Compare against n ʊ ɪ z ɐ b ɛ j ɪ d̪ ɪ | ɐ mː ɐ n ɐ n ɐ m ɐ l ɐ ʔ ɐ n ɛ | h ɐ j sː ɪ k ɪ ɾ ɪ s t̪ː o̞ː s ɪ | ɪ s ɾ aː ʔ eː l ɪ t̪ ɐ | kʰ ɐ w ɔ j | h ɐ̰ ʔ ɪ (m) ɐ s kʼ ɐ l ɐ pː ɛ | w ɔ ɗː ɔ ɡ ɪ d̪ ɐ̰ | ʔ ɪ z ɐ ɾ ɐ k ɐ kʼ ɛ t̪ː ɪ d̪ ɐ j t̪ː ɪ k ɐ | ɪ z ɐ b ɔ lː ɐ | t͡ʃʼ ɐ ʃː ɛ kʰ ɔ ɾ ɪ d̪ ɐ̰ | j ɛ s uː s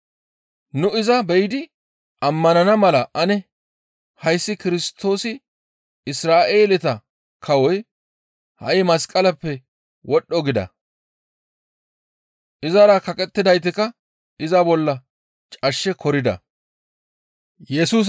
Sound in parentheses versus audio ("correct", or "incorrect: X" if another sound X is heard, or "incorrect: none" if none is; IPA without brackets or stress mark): correct